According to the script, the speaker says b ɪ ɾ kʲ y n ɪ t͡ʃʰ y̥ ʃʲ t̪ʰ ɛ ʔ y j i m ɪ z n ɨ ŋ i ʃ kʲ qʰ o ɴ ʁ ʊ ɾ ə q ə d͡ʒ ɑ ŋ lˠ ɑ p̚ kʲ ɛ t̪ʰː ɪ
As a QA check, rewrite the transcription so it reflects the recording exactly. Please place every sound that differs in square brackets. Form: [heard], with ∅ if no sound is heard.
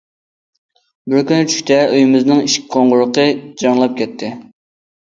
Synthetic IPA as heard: b ɪ ɾ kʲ y n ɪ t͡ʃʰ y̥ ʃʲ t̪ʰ ɛ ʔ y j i m ɪ z n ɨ ŋ i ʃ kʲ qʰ o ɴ ʁ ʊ ɾ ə q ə d͡ʒ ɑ ŋ lˠ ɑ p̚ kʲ ɛ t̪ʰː ɪ